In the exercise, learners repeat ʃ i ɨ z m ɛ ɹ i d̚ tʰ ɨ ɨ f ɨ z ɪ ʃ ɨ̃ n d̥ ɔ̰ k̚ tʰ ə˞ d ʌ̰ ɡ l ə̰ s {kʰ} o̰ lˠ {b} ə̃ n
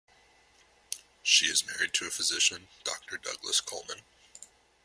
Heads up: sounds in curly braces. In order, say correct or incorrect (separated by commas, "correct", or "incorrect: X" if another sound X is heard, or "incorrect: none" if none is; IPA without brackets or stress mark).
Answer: correct, incorrect: m